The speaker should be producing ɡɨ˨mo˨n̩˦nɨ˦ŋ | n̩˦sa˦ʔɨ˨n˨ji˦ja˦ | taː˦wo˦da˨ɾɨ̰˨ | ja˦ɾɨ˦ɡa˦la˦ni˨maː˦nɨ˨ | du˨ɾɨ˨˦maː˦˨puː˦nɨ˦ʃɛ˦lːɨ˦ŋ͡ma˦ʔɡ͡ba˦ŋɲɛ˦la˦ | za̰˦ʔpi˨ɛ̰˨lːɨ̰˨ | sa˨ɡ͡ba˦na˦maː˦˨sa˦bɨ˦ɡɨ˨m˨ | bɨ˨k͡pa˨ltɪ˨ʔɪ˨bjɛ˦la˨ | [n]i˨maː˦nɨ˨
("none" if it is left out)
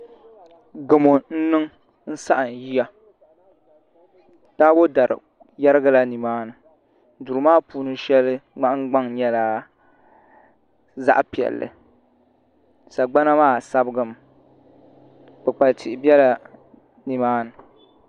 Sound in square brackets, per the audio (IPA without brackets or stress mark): n